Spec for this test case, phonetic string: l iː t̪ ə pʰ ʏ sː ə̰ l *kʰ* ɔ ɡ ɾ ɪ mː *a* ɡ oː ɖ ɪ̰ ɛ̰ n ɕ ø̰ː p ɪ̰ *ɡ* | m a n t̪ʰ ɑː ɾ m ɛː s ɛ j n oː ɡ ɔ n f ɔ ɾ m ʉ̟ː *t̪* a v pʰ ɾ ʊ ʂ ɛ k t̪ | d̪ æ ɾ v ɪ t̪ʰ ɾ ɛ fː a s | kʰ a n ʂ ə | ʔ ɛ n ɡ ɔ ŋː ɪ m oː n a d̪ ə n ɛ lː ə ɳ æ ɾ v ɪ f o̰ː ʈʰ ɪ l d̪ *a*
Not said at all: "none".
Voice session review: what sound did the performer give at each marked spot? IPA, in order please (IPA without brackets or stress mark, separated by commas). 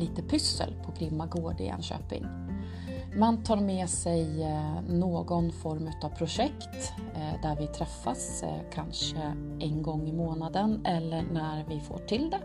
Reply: pʰ, a, ŋ, t̪, ɛ